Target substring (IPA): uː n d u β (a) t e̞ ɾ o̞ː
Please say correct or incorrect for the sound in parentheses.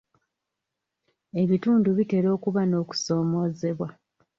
incorrect